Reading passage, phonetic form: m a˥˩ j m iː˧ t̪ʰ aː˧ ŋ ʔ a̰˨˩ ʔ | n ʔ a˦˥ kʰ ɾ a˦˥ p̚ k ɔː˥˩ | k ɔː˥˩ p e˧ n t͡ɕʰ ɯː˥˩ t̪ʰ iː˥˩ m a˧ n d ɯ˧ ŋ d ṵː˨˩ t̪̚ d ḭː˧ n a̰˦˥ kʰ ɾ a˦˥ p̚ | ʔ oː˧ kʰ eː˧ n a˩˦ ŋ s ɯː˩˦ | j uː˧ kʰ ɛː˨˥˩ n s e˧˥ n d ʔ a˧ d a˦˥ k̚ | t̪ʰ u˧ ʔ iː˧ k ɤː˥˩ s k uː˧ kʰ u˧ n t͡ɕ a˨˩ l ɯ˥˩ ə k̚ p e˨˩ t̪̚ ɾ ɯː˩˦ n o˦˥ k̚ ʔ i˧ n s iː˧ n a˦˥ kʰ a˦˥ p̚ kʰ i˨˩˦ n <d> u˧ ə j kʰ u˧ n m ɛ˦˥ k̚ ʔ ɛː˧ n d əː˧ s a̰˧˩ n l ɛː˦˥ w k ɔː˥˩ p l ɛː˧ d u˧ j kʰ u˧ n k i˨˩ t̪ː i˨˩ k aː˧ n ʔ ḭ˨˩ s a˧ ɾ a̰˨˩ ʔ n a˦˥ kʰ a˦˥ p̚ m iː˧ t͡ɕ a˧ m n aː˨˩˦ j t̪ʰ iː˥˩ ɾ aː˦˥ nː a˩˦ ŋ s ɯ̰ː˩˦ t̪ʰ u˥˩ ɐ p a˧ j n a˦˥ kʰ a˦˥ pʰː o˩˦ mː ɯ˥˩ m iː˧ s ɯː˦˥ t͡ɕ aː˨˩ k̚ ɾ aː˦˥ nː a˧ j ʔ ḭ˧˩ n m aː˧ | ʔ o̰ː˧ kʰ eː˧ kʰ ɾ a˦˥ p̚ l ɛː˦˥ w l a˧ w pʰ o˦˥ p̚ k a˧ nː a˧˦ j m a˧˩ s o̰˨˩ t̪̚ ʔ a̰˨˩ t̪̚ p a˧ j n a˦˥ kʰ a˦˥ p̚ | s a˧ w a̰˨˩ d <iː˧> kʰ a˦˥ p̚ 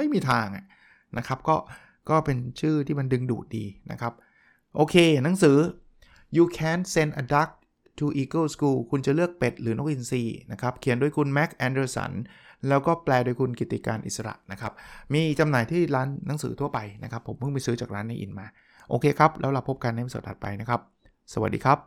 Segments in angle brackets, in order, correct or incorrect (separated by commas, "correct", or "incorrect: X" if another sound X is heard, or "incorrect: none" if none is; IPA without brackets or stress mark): correct, correct